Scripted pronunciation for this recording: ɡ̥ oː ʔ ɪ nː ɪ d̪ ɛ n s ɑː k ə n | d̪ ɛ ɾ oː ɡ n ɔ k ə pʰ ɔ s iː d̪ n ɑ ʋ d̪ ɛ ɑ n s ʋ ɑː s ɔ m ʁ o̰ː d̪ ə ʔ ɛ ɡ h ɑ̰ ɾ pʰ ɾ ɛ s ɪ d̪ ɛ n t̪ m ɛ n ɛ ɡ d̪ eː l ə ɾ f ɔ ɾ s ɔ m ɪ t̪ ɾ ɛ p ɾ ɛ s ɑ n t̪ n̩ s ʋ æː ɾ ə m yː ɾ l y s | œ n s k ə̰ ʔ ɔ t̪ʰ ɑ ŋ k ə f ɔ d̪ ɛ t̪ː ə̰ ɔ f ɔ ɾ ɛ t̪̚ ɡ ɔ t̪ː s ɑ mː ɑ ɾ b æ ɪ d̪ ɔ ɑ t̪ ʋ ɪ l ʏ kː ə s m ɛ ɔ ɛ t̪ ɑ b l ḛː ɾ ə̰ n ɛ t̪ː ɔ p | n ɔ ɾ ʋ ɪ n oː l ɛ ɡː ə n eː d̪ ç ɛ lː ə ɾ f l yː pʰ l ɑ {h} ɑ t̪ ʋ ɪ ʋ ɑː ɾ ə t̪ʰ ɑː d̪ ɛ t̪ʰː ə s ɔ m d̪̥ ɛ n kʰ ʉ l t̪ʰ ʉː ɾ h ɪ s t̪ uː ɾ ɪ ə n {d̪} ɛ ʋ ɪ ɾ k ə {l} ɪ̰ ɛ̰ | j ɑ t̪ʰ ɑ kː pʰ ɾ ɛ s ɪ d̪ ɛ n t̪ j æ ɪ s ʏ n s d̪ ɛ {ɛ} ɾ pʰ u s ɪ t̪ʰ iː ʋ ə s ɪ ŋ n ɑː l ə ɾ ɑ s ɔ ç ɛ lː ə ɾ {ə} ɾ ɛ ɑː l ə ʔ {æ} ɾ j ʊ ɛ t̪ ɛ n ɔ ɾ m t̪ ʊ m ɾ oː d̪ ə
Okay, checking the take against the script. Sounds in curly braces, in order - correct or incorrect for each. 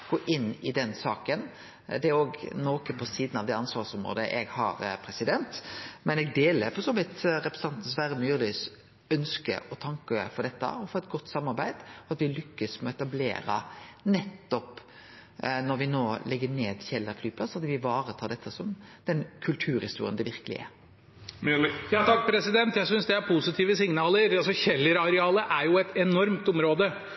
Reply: incorrect, correct, correct, incorrect, incorrect, correct

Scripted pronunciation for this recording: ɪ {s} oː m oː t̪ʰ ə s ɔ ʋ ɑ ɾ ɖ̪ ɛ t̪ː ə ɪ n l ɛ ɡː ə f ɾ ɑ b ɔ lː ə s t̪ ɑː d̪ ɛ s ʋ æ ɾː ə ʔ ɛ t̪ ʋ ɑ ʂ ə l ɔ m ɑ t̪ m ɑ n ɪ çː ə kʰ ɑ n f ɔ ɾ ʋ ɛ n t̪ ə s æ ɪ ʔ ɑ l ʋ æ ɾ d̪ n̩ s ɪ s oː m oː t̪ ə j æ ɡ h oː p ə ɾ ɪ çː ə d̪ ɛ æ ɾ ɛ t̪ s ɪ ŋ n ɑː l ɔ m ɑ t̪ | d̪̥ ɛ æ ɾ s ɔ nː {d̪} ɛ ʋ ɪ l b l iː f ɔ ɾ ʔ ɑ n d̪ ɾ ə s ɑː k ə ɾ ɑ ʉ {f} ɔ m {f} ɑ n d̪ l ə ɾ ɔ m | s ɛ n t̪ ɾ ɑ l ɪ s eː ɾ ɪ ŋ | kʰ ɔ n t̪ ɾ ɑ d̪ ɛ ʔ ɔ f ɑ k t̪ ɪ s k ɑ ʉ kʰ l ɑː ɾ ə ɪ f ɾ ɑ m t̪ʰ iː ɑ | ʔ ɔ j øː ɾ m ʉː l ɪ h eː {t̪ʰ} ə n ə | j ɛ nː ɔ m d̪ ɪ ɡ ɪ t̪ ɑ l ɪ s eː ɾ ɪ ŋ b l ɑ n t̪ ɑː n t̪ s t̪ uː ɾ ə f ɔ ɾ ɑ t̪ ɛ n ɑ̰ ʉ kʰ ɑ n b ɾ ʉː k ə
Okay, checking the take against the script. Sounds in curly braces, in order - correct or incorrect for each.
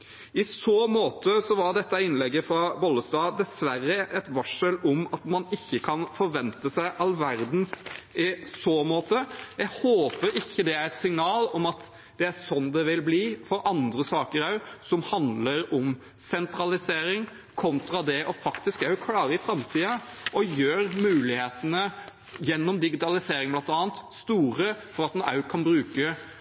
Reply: correct, correct, incorrect, incorrect, incorrect

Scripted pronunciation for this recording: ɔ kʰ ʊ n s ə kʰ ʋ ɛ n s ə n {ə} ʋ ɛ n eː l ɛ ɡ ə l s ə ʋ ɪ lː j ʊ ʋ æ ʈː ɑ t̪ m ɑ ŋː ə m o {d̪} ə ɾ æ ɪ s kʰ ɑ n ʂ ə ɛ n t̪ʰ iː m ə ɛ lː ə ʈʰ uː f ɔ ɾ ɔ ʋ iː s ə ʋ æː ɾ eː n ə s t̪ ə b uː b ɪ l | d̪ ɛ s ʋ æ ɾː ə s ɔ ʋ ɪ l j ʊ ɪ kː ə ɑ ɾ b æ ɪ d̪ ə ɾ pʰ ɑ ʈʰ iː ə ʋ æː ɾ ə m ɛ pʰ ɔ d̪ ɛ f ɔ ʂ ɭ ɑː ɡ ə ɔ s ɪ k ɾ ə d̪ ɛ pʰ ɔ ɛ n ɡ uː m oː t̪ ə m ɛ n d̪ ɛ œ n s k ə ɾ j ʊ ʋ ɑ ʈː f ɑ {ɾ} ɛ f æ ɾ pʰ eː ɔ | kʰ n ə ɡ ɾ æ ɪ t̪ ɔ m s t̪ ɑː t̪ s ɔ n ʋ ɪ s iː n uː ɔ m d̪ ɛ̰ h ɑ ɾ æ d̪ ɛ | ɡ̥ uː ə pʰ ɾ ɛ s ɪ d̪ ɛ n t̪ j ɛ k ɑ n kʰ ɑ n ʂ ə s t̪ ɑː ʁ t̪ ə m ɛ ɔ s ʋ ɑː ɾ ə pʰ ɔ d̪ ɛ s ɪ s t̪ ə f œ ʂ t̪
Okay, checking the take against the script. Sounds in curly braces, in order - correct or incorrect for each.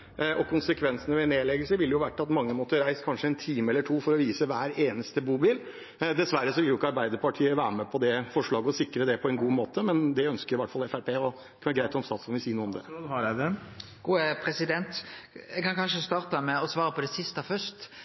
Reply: correct, incorrect, incorrect

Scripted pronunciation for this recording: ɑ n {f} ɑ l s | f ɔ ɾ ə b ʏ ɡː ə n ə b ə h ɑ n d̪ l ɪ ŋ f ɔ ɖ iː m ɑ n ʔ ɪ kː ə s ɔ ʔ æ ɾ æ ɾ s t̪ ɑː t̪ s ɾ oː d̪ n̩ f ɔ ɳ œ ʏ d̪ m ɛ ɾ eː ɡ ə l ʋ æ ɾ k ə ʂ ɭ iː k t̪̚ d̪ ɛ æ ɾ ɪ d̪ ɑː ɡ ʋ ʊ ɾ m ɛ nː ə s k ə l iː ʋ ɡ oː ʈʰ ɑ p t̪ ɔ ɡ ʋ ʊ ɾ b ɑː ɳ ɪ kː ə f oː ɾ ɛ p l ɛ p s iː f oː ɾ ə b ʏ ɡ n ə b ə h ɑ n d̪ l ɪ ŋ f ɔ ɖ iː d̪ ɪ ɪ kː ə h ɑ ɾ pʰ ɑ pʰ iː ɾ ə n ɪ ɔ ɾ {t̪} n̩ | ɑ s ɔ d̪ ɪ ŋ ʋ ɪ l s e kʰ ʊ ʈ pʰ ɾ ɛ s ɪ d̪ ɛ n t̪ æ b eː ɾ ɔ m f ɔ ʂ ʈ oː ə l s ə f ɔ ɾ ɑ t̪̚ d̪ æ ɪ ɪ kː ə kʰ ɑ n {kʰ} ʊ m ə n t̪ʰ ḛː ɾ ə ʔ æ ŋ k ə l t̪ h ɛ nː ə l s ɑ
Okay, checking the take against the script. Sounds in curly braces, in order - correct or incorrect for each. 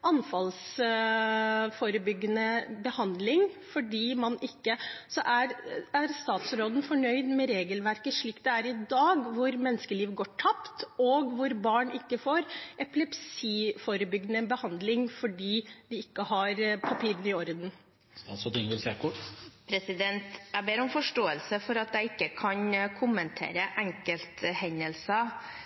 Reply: correct, incorrect, correct

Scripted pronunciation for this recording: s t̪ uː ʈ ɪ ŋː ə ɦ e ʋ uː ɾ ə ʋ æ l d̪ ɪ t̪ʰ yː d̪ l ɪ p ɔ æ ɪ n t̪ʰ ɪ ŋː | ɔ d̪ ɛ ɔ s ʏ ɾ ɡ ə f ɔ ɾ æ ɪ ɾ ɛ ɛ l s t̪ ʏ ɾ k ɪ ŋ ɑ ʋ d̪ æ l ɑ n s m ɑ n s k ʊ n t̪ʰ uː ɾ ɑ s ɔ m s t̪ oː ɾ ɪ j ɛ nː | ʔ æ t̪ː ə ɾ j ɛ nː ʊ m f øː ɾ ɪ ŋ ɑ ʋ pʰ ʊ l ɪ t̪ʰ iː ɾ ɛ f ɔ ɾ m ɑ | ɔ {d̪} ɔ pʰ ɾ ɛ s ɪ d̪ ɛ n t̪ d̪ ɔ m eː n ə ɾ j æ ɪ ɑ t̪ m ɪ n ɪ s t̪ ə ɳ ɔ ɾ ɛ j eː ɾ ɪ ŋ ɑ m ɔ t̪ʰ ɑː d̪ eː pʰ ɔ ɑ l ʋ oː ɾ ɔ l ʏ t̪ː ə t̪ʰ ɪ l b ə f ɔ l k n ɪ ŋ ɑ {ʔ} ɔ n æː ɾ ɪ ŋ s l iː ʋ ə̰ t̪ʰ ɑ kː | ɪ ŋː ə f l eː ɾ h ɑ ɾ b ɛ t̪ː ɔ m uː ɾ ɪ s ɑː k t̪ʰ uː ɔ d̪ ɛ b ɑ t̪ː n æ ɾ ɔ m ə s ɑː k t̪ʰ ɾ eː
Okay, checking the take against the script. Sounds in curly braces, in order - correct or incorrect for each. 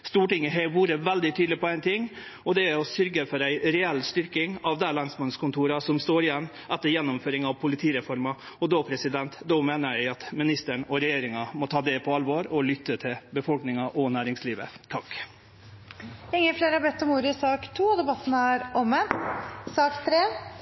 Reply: correct, correct

